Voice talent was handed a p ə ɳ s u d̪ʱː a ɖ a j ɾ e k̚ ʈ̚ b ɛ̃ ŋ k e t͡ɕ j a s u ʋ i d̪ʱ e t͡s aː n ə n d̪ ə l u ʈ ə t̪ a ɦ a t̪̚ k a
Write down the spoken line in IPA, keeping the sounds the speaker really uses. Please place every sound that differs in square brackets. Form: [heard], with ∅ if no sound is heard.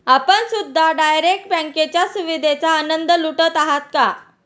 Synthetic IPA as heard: a p ə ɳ s u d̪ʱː a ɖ a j ɾ e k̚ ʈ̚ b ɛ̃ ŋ k e t͡ɕ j a s u ʋ i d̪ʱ e t͡s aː n ə n d̪ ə l u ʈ ə t̪ a ɦ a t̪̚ k a